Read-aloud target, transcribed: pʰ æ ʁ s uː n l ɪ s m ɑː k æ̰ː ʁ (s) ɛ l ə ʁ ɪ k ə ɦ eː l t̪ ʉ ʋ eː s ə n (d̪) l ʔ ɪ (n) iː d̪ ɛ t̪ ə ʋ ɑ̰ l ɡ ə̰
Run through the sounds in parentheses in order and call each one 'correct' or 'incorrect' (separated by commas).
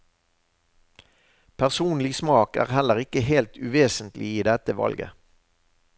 incorrect, incorrect, incorrect